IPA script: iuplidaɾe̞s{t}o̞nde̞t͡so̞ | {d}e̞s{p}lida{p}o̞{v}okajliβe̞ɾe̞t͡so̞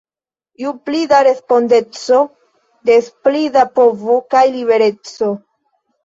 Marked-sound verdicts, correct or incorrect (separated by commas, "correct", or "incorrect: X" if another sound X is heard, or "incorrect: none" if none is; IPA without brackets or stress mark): incorrect: p, correct, correct, correct, correct